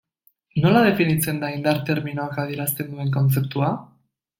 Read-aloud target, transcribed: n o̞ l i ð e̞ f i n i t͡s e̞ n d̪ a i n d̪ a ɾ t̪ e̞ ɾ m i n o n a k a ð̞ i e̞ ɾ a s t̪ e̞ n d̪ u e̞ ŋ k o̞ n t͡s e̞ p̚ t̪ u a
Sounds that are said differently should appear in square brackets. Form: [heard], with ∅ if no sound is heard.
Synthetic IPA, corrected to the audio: n o̞ l [a] ð e̞ f i n i t͡s e̞ n d̪ a i n d̪ a ɾ t̪ e̞ ɾ m i n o [∅] a k a ð̞ i e̞ ɾ a s t̪ e̞ n d̪ u e̞ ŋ k o̞ n t͡s e̞ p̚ t̪ u a